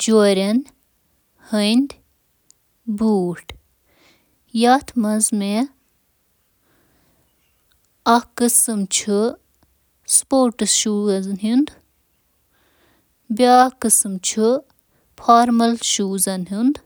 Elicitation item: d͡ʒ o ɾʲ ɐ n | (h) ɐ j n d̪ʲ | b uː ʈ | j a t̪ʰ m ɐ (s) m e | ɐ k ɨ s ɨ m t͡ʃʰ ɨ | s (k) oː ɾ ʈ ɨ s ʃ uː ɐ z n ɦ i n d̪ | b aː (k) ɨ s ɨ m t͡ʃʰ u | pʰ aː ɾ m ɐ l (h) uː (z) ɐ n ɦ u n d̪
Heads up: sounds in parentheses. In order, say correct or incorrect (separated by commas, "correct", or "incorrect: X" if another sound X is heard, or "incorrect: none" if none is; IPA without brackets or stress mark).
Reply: correct, incorrect: z, incorrect: p, correct, incorrect: ʃ, correct